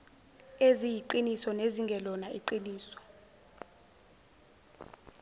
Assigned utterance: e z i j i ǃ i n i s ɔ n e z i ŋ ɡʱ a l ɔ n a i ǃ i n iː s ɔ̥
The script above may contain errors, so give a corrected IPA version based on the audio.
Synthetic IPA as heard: e z i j i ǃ i n i s ɔ n e z i ŋ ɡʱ ɛ l ɔ n a i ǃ i n iː s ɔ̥